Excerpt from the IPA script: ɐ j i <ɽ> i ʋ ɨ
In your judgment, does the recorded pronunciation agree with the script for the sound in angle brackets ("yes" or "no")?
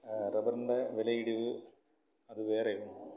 yes